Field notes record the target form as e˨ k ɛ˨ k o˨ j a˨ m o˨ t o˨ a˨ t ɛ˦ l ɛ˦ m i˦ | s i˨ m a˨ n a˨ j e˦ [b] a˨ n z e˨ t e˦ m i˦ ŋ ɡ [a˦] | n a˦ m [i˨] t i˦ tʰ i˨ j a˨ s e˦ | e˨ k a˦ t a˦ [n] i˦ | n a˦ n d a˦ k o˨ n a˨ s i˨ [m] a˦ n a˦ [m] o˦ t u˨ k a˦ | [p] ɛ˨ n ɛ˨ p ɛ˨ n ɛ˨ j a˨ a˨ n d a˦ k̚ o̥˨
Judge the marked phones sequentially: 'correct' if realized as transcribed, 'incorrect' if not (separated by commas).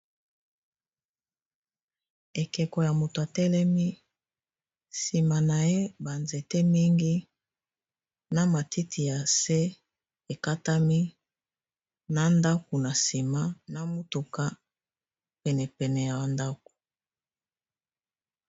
correct, incorrect, incorrect, incorrect, correct, correct, correct